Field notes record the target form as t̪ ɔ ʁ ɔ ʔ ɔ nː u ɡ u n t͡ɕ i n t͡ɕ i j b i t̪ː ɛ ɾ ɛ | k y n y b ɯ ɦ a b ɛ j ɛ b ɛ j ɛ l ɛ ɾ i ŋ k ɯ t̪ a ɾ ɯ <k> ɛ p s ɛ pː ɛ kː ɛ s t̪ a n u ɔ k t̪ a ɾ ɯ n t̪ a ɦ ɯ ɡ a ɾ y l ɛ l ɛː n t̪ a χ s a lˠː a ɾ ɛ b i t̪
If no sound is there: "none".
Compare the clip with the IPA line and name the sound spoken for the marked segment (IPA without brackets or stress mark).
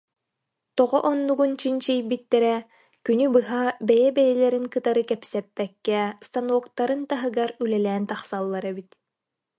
k